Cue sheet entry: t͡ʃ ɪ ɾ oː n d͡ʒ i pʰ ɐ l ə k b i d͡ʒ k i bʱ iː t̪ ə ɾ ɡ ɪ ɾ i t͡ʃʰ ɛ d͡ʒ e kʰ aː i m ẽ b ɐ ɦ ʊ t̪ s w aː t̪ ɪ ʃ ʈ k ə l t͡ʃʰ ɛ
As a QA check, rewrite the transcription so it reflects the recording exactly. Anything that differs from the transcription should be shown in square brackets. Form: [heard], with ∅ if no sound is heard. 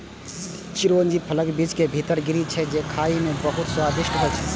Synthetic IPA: t͡ʃ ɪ ɾ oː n d͡ʒ i pʰ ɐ l ə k b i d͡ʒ k [e] bʱ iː t̪ ə ɾ ɡ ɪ ɾ i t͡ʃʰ ɛ d͡ʒ e kʰ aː i m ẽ b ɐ ɦ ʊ t̪ s w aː [d̪] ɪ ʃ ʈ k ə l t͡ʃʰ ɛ